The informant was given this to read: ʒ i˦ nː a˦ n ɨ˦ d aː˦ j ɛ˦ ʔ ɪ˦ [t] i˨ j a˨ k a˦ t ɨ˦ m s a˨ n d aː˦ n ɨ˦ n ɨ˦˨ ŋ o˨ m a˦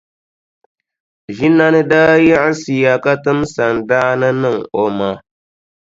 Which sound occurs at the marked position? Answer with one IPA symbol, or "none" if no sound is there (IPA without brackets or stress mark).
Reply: s